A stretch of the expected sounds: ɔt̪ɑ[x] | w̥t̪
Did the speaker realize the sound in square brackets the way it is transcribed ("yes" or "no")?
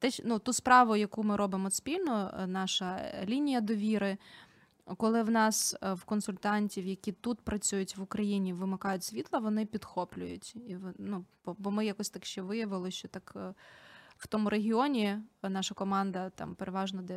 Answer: no